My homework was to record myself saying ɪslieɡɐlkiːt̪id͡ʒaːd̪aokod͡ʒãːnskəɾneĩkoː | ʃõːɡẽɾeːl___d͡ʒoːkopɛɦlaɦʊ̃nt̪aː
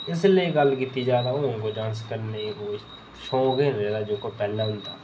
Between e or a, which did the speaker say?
a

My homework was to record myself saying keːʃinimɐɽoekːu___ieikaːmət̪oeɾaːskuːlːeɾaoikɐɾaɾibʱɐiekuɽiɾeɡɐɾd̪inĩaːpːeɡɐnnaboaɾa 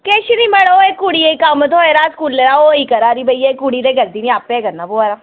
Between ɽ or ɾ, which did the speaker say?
ɽ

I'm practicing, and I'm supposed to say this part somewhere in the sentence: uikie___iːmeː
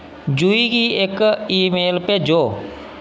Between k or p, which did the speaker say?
k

